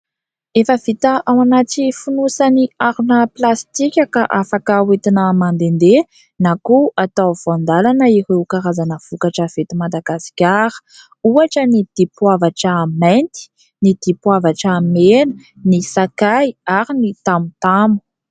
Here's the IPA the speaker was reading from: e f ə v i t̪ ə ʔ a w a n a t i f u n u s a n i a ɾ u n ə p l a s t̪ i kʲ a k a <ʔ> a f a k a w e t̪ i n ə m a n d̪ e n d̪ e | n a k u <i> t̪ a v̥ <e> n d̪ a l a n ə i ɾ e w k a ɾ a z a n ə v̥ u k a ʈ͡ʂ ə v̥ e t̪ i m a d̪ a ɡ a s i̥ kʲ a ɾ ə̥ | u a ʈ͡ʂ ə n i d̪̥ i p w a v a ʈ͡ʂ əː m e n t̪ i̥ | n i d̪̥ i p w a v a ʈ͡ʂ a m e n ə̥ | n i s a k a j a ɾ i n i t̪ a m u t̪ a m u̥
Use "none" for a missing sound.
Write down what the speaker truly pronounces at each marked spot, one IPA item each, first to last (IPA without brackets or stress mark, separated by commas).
ʔ, a, a